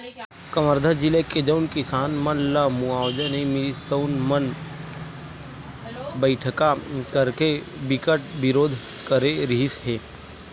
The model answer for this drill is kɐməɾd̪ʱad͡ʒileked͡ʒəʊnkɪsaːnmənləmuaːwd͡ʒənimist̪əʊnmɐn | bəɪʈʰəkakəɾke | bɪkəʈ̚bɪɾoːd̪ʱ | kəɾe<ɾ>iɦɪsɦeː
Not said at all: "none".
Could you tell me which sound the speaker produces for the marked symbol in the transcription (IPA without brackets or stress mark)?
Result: ɾ